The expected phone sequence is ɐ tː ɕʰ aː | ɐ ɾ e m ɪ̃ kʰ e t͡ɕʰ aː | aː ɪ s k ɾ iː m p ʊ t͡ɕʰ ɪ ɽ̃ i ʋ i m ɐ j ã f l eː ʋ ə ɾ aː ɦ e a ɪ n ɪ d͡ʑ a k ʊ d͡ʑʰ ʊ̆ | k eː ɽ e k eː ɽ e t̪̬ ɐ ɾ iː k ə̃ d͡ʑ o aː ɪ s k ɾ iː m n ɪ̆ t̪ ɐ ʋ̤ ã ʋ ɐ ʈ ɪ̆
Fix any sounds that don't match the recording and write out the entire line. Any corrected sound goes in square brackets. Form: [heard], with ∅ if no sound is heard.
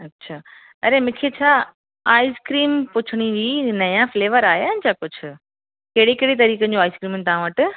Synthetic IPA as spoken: ɐ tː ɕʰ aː | ɐ ɾ e m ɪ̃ kʰ e t͡ɕʰ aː | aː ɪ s k ɾ iː m p ʊ t͡ɕʰ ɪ ɽ̃ i ʋ i [n] ɐ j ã f l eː ʋ ə ɾ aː ɦ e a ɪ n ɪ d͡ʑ a k ʊ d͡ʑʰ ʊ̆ | k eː ɽ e k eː ɽ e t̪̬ ɐ ɾ iː k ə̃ d͡ʑ o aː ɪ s k ɾ iː m n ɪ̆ t̪ ɐ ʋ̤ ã ʋ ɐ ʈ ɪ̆